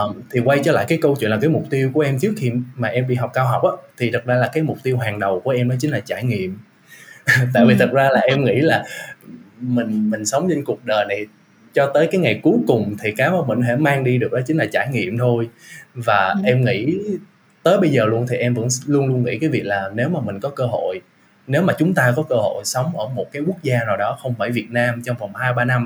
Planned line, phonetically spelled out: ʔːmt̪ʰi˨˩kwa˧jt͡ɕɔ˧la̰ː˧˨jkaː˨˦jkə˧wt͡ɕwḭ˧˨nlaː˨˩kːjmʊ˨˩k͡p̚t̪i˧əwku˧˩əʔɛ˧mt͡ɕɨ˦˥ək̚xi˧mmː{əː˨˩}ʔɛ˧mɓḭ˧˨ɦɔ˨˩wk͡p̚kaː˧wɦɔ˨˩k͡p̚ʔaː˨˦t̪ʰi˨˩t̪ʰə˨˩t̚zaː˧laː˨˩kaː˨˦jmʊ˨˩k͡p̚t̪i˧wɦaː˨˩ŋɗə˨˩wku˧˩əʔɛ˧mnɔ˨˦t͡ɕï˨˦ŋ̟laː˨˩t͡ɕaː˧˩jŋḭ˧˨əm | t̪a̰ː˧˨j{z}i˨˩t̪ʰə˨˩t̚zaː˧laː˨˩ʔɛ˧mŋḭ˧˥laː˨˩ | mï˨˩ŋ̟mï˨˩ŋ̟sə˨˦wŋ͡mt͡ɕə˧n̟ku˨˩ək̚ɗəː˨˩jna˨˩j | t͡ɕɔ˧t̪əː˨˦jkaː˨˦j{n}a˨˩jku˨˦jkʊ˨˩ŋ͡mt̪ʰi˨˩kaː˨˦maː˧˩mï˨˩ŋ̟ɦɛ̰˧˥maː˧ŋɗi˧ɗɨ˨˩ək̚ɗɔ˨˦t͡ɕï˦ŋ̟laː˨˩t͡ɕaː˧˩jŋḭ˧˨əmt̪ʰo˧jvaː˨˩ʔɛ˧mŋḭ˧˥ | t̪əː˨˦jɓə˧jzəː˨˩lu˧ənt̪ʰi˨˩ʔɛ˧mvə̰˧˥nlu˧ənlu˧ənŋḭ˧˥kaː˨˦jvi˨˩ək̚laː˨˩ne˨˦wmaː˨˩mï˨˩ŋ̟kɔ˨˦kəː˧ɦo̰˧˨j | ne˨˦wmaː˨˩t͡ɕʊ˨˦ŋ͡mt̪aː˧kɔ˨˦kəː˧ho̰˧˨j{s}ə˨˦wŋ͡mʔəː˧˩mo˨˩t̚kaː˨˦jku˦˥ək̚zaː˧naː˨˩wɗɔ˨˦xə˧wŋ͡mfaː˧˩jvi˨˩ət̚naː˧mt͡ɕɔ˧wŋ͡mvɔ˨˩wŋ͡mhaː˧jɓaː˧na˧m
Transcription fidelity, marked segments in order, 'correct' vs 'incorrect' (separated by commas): incorrect, incorrect, incorrect, correct